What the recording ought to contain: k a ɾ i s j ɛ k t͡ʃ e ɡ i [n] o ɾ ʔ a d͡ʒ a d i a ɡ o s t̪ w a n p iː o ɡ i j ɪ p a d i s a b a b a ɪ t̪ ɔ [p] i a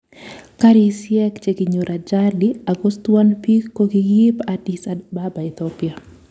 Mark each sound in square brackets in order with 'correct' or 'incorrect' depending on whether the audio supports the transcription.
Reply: incorrect: ɲ, correct

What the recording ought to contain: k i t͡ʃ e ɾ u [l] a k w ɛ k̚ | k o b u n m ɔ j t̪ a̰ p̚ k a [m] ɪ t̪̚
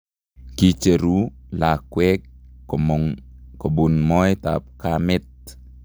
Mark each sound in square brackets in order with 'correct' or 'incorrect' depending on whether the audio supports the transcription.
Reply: correct, correct

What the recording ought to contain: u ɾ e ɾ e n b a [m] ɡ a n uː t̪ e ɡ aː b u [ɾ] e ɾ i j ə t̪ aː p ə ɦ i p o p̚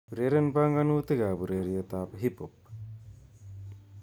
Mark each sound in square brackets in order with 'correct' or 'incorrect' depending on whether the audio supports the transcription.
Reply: incorrect: ŋ, correct

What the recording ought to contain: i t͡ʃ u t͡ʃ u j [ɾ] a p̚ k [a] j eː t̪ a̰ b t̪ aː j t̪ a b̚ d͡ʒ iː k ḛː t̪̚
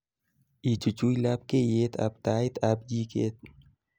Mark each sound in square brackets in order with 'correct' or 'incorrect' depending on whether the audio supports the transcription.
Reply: incorrect: l, incorrect: e

